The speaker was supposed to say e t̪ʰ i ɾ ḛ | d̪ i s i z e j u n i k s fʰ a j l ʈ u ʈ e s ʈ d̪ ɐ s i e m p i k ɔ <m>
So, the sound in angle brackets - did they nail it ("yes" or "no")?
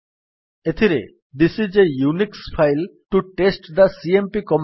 yes